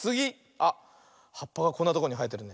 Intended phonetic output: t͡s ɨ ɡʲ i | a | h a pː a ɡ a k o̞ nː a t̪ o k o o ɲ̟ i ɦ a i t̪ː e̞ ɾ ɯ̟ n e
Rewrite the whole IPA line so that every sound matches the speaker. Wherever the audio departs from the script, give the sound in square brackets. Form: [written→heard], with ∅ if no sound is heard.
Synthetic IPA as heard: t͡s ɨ ɡʲ i | a | h a pː a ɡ a k o̞ nː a t̪ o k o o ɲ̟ i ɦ a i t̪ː e̞ ɾ ɯ̟ n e